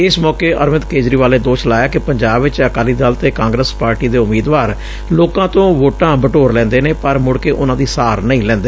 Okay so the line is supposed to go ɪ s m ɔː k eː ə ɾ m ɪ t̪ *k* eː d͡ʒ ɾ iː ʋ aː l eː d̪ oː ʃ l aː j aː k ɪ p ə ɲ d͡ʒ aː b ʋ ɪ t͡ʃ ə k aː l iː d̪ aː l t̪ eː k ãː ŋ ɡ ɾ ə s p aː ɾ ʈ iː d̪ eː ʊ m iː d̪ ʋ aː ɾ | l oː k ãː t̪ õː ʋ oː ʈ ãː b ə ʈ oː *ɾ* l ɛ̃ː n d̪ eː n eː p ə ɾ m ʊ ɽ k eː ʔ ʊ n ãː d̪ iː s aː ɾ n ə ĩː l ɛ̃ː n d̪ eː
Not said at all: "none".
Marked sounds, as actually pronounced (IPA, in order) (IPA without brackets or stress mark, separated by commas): k, ɾ